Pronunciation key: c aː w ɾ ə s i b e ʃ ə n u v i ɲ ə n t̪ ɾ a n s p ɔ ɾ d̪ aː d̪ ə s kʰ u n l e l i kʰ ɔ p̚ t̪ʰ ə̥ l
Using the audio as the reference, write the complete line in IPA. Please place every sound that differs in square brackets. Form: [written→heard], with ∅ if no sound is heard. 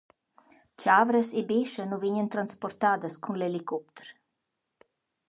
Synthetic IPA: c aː [w→v] ɾ ə s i b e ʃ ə n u v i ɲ ə n t̪ ɾ a n s p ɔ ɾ [d̪→t̪] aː d̪ ə s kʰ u n l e l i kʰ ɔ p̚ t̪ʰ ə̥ [l→ɾ]